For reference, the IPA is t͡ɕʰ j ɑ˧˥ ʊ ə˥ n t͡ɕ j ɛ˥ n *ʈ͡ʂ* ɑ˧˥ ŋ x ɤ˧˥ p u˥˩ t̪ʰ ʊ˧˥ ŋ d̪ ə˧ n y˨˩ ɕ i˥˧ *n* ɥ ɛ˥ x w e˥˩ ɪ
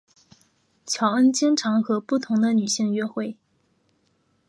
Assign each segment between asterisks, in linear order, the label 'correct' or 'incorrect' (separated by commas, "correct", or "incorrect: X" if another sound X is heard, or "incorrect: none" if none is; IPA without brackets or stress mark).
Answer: incorrect: ʈ͡ʂʰ, incorrect: ŋ